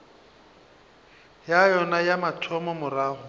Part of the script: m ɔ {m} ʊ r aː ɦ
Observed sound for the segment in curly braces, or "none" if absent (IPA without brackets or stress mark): m